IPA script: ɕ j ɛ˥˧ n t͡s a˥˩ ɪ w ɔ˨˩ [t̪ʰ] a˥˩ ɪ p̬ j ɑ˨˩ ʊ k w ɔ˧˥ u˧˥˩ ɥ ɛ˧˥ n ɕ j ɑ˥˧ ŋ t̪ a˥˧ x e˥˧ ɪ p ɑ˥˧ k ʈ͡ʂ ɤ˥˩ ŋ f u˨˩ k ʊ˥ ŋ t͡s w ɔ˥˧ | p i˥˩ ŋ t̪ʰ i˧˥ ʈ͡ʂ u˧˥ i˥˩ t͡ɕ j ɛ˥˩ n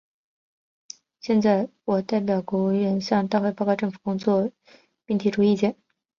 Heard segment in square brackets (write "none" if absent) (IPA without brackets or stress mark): t̪